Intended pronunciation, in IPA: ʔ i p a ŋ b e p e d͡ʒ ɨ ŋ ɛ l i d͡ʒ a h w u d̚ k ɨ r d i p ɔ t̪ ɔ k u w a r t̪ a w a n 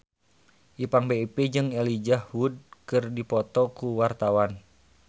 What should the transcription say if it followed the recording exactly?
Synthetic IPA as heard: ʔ i p a ŋ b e p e d͡ʒ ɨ ŋ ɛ l i d͡ʒ a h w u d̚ k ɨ r d i p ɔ t̪ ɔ k u w a r t̪ a w a n